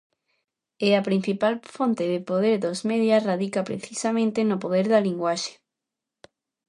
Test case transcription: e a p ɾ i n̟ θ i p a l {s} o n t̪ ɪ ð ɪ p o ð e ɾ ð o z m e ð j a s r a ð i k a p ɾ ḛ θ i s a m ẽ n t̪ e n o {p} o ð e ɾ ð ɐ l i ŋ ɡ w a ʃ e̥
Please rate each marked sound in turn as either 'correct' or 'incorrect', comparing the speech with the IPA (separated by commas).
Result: incorrect, correct